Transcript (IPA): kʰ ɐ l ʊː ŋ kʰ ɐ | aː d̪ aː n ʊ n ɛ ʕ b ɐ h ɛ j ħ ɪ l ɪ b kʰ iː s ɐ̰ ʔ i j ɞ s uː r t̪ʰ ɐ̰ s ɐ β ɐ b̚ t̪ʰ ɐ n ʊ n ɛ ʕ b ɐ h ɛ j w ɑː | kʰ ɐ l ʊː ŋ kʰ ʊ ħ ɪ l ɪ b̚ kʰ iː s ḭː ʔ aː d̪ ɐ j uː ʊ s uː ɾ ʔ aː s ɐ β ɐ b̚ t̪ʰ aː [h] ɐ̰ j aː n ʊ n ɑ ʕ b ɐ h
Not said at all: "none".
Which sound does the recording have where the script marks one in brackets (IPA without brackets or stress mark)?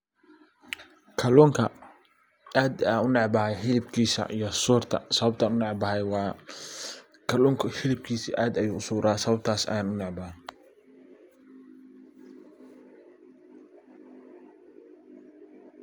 s